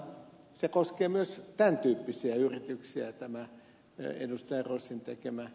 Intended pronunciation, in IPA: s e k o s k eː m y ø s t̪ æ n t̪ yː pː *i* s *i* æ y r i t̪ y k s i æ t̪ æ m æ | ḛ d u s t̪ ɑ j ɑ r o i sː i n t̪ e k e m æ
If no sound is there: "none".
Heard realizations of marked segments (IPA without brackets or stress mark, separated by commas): i, i